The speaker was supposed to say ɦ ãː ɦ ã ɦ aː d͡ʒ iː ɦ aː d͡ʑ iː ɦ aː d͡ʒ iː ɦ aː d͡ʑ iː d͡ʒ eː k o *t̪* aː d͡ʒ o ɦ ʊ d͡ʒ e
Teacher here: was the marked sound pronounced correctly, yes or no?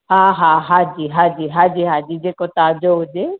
yes